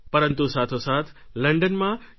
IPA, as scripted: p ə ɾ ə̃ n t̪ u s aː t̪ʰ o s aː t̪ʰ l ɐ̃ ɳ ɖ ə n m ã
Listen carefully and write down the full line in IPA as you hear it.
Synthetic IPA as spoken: p ɐ ɾ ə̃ n t̪ u s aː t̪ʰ o s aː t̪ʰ l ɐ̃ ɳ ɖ ə n m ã